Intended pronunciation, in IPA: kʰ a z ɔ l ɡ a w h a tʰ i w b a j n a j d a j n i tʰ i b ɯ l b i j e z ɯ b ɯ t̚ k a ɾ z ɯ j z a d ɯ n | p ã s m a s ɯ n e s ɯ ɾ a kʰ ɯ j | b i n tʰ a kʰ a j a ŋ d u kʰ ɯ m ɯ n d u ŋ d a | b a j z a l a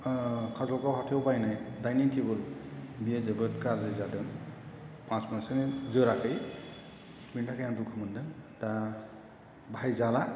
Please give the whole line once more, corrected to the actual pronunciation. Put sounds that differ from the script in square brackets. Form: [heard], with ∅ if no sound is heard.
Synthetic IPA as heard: kʰ a z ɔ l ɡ a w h a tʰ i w b a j n a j d a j n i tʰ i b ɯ l b i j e z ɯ b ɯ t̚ k a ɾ z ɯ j z a d ɯ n | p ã s m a s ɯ n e [z] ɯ ɾ a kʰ ɯ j | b i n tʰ a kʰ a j a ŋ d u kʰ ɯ m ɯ n d [ɯ] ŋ d a | b a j z a l a